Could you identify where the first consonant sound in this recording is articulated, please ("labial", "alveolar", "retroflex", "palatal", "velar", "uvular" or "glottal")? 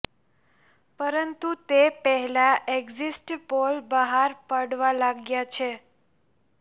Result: labial